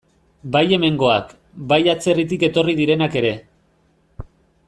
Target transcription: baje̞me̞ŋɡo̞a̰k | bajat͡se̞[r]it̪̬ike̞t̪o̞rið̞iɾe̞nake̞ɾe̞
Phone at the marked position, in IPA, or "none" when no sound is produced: r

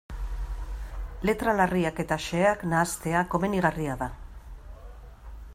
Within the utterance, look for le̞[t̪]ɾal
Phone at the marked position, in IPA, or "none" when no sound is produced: t̪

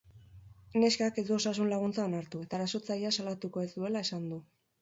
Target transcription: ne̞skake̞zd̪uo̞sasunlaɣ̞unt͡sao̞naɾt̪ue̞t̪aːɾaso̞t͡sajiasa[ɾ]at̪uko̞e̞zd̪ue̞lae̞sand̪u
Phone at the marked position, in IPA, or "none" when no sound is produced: l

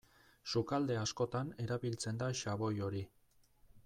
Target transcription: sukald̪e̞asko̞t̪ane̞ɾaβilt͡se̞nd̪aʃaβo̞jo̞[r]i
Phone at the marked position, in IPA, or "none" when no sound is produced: ɾ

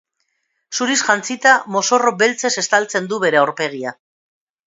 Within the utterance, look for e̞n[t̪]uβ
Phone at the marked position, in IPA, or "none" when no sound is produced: d̪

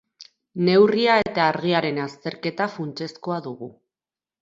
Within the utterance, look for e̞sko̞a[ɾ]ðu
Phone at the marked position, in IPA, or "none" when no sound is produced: none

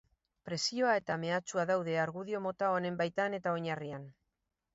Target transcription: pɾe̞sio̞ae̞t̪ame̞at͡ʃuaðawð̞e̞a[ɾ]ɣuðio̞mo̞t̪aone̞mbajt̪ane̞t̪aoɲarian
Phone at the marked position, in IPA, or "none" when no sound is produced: ɾ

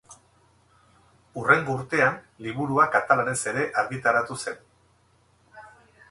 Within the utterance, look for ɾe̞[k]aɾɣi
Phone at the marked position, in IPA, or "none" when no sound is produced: ʔ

